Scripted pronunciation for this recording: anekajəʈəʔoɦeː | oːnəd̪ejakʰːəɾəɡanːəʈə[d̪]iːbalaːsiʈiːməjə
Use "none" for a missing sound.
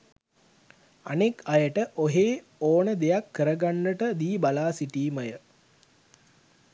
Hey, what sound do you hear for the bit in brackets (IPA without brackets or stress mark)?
d̪